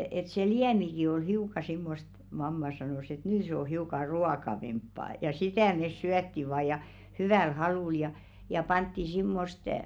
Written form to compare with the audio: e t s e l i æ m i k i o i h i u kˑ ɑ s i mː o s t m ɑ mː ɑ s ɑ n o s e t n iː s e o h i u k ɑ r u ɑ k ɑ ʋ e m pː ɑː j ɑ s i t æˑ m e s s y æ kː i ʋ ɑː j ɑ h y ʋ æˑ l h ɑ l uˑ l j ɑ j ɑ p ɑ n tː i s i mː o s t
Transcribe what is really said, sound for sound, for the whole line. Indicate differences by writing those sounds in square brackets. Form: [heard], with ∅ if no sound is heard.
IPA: e t s e l i æ m i k i o i h i u kˑ ɑ s i mː o s t m ɑ mː ɑ s ɑ n o s e t n [yː] s e o h i u k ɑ r u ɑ k ɑ ʋ e m pː ɑː j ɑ s i t æˑ m e s s y æ [tː] i ʋ ɑː j ɑ h y ʋ æˑ l h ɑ l uˑ l j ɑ j ɑ p ɑ n tː i s i mː o s t